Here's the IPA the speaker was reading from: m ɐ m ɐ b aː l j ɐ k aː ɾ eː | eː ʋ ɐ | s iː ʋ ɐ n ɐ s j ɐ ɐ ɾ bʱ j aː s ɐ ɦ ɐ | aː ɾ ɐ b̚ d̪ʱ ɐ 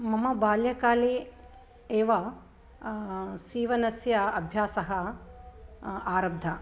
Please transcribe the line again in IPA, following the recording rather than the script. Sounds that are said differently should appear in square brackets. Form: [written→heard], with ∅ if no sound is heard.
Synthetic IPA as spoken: m ɐ m ɐ b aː l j ɐ k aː [ɾ→l] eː | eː ʋ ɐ | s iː ʋ ɐ n ɐ s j ɐ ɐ [ɾ→∅] bʱ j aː s ɐ ɦ ɐ | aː ɾ ɐ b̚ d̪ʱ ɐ